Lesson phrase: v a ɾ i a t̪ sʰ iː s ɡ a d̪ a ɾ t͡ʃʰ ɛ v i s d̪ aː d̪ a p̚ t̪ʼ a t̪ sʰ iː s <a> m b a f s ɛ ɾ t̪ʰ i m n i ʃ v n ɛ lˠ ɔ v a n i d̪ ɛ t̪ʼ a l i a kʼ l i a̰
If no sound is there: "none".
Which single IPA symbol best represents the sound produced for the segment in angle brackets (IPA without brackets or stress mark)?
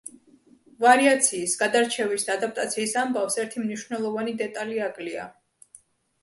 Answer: a